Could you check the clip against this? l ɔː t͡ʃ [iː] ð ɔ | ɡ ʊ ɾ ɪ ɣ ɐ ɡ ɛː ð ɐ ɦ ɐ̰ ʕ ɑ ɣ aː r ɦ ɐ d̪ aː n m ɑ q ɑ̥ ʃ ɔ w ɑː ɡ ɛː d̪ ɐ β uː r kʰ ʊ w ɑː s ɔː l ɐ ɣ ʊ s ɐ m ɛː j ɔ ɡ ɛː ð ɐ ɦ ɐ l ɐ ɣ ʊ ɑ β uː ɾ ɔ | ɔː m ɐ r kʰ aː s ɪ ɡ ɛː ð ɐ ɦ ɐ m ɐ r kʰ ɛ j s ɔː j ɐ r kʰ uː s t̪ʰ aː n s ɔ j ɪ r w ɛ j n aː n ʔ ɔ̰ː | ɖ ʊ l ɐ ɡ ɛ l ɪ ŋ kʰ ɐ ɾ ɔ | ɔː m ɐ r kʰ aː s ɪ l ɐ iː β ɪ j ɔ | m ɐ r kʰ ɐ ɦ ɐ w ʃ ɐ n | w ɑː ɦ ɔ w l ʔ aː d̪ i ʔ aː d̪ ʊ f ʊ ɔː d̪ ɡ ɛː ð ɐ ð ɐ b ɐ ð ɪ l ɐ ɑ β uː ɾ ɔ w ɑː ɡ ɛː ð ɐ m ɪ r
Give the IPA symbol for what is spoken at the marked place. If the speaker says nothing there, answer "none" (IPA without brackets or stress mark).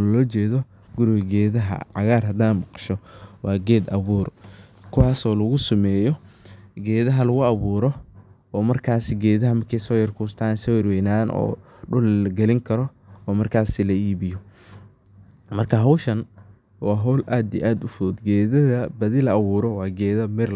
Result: ɛː